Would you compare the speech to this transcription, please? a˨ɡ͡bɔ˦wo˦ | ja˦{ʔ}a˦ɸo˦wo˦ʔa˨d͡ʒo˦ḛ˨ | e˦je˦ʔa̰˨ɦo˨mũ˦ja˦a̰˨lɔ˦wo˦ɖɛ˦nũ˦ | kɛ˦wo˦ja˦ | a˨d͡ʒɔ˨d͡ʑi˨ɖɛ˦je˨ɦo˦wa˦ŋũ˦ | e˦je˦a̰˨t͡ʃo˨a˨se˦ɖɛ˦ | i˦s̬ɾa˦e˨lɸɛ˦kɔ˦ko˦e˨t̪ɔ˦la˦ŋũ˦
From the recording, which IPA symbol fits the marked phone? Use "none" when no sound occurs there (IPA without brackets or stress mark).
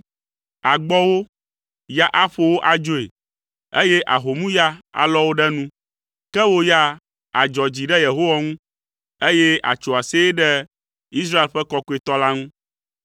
ʔ